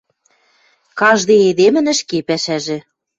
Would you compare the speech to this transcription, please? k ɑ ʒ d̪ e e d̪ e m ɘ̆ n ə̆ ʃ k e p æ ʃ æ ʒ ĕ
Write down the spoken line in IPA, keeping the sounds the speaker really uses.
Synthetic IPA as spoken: k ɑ ʒ d̪ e e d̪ e m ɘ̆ n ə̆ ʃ k e p æ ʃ æ ʒ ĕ